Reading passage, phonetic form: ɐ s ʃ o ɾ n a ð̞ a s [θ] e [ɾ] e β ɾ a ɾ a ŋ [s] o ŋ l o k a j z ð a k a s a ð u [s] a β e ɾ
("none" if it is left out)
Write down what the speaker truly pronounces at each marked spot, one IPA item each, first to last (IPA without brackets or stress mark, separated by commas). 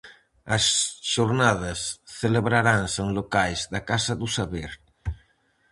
θ, l, s, s